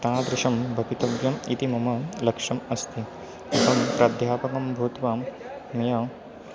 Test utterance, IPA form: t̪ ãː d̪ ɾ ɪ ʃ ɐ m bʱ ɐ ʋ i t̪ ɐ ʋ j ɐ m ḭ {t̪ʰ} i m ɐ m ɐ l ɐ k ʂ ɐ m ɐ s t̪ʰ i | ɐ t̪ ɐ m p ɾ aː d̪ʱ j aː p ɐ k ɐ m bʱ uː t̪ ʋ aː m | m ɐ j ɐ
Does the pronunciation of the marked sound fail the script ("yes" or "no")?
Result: yes